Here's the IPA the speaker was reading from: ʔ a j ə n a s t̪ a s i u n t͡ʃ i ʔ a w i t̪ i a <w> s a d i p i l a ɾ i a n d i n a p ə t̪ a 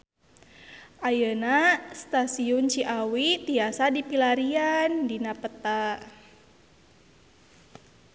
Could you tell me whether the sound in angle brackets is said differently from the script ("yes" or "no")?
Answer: yes